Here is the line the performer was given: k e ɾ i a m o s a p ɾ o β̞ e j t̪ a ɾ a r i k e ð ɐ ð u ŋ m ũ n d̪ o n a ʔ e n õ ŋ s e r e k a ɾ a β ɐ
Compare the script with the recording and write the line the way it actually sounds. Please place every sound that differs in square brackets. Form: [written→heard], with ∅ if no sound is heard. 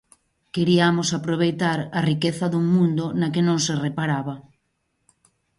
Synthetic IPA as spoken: k e ɾ i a m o s a p ɾ o β̞ e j t̪ a ɾ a r i k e [ð→θ] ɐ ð u ŋ m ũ n d̪ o n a [ʔ→k] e n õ ŋ s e r e [k→p] a ɾ a β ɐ